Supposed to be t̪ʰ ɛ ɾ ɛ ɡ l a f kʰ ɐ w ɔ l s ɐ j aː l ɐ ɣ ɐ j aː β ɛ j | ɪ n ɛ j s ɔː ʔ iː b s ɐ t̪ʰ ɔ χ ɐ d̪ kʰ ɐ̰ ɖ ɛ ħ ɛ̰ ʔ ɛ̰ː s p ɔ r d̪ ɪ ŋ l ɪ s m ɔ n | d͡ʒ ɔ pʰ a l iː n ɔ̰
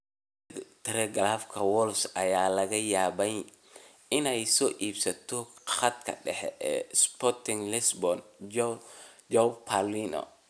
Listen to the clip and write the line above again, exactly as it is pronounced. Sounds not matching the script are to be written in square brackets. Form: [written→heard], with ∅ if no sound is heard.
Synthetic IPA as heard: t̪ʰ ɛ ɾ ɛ ɡ l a f kʰ ɐ w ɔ l s ɐ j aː l ɐ ɣ ɐ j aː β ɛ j | ɪ n ɛ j s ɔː ʔ iː b s ɐ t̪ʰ ɔ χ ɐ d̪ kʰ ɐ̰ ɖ ɛ ħ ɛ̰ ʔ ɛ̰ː s p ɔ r [d̪→t̪] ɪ ŋ l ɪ s [m→b] ɔ n | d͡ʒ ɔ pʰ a l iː n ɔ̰